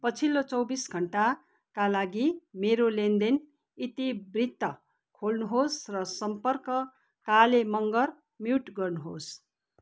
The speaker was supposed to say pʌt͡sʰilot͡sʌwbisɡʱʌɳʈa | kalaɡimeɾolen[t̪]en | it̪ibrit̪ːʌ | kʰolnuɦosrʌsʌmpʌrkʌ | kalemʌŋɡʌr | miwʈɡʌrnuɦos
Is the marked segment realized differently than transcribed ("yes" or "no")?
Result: yes